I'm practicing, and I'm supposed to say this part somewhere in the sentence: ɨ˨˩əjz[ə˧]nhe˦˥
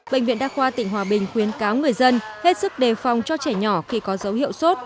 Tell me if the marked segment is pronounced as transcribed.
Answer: yes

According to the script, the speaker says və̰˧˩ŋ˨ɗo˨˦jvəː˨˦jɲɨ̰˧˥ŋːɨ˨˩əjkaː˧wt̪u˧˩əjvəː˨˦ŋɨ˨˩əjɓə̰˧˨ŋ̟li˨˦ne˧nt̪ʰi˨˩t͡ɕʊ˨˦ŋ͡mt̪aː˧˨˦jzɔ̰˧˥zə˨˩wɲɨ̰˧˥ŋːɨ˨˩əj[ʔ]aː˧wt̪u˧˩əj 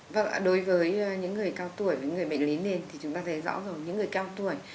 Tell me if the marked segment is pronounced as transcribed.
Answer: no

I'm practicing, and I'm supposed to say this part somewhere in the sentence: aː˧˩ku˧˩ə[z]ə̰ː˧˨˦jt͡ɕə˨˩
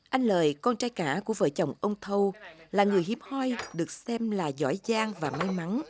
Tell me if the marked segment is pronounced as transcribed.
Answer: no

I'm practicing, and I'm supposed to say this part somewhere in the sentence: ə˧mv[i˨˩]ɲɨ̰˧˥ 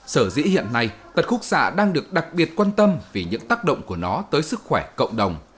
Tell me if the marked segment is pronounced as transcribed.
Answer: yes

